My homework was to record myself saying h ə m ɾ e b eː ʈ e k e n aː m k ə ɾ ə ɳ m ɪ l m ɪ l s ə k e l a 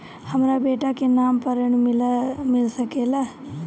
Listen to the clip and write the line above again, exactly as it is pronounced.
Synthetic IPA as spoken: h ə m ɾ a b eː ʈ a k e n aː m p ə ɾ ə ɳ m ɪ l m ɪ l s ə k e l a